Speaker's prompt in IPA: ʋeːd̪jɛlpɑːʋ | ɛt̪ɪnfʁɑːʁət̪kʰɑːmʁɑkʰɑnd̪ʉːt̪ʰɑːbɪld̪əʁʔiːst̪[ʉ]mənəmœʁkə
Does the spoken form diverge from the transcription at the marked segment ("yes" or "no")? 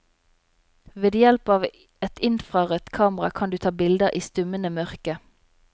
no